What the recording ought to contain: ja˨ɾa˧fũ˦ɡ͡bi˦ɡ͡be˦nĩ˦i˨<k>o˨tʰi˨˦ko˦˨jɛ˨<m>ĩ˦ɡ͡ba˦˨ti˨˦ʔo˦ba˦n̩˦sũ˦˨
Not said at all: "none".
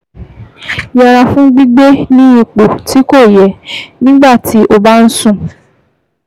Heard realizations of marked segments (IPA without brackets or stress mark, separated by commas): k͡p, n